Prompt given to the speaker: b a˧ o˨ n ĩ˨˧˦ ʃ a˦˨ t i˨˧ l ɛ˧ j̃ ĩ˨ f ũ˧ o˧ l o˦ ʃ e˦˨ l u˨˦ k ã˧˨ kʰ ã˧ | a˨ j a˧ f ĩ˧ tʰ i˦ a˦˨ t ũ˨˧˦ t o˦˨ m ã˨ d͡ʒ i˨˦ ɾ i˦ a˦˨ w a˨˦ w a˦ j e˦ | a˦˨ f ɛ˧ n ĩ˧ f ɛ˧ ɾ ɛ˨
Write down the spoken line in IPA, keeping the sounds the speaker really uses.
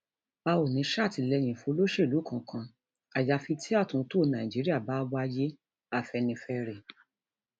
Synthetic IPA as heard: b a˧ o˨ n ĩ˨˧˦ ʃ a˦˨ t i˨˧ l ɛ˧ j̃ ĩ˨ f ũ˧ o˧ l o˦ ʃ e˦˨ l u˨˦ k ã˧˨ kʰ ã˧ | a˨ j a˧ f i˧ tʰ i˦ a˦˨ t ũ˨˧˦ t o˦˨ n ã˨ d͡ʒ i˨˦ ɾ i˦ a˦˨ b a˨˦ w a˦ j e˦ | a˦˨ f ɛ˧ n ĩ˧ f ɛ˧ ɾ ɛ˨